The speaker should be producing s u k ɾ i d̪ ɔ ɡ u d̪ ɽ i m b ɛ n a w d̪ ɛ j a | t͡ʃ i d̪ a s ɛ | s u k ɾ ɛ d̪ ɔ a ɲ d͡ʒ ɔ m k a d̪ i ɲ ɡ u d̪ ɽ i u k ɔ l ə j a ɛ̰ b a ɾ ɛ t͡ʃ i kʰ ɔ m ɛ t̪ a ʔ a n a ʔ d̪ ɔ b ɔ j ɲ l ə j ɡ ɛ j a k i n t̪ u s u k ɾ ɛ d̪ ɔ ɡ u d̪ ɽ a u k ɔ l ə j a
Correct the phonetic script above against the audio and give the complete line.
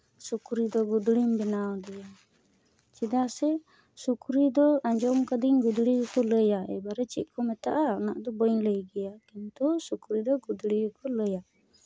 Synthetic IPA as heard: s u k ɾ i d̪ ɔ ɡ u d̪ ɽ i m b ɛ n a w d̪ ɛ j a | t͡ʃ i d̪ a s ɛ | s u k ɾ i d̪ ɔ a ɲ d͡ʒ ɔ m k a d̪ i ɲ ɡ u d̪ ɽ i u k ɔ l ə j a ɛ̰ b a ɾ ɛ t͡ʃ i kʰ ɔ m ɛ t̪ a ʔ a n a ʔ d̪ ɔ b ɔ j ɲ l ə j ɡ ɛ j a k i n t̪ u s u k ɾ i d̪ ɔ ɡ u d̪ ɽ i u k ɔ l ə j a